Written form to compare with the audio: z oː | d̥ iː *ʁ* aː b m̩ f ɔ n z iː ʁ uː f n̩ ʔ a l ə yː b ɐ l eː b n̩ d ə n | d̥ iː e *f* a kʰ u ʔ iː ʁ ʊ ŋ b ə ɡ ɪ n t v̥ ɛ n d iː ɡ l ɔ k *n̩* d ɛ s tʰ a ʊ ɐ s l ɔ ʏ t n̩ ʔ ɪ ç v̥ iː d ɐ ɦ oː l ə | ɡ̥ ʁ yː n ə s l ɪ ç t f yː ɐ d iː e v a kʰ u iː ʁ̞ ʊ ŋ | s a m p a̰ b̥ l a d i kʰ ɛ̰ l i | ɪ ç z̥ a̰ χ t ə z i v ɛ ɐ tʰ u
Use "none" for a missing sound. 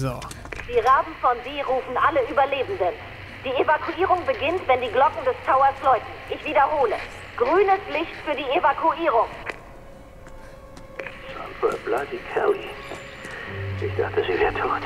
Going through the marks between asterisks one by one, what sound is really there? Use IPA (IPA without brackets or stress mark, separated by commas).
ʁ, v, ŋ̩